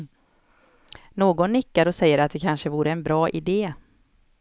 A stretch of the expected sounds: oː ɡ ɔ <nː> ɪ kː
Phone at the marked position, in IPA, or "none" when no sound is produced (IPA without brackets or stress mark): nː